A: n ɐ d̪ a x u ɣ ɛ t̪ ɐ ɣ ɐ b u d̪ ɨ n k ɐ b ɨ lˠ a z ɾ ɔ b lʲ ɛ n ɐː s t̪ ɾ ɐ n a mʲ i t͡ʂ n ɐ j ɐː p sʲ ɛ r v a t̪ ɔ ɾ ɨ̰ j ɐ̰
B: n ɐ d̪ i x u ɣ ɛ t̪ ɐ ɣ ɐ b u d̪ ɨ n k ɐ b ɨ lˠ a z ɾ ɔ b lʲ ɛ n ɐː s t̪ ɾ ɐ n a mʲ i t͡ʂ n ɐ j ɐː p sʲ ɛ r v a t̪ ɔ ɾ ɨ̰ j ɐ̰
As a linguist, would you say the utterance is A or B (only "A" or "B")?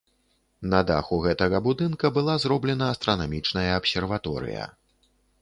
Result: A